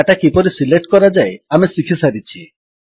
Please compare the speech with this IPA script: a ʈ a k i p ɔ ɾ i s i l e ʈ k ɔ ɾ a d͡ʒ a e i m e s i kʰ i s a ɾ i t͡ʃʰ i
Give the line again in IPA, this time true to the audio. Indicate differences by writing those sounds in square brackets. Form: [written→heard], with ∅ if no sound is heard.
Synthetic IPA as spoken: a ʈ a k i p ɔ ɾ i s i l e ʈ k ɔ ɾ a d͡ʒ a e [i→a] m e s i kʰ i s a ɾ i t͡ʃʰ i